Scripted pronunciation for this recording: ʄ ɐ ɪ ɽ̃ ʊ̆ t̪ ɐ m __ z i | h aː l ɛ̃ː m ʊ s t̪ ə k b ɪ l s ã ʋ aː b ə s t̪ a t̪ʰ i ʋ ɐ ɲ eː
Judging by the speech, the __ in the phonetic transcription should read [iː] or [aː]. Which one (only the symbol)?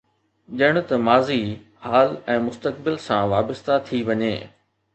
aː